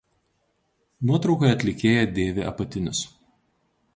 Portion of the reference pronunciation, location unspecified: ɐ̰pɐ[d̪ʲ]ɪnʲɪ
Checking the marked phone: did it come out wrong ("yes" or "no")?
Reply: yes